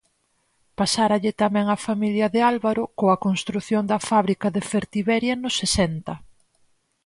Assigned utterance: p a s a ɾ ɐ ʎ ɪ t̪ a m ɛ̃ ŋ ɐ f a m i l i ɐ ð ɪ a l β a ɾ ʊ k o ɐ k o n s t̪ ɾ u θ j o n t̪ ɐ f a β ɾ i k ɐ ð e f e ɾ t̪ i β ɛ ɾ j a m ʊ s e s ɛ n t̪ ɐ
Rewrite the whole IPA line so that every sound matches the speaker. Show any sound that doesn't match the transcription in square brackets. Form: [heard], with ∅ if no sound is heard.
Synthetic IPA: p a s a ɾ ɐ ʎ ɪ t̪ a m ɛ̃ ŋ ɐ f a m i l [j] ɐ ð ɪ a l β a ɾ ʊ k o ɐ k o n s t̪ ɾ u θ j o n [d̪] ɐ f a β ɾ i k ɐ ð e f e ɾ t̪ i β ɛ ɾ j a [n] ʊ s e s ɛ n t̪ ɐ